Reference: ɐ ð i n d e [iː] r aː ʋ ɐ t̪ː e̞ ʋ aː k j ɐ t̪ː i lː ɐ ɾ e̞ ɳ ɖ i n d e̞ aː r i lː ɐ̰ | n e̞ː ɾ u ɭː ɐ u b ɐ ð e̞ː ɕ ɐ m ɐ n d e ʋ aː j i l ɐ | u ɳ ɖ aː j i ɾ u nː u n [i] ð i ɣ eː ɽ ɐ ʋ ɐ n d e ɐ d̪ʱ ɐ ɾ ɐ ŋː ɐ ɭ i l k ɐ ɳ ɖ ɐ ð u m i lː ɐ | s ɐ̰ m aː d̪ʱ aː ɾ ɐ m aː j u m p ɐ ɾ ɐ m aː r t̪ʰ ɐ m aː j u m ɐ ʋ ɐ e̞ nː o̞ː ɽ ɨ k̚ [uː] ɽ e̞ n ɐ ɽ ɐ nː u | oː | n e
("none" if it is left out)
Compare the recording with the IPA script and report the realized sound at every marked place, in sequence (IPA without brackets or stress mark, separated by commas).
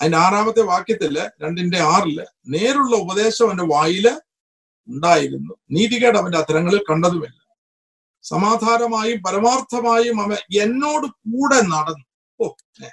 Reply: aː, iː, uː